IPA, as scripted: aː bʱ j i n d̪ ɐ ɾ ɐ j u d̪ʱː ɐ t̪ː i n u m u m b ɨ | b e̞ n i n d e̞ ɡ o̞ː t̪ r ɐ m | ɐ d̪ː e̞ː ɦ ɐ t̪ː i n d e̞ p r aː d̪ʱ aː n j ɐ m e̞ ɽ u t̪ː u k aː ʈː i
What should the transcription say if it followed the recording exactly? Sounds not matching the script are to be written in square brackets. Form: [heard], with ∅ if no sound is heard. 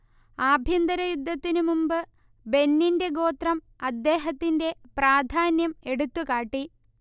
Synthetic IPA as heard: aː bʱ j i n d̪ ɐ ɾ ɐ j u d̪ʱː ɐ t̪ː i n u m u m b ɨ | b e̞ [nː] i n d e̞ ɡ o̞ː t̪ r ɐ m | ɐ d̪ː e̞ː ɦ ɐ t̪ː i n d e̞ p r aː d̪ʱ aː n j ɐ m e̞ ɽ u t̪ː u k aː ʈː i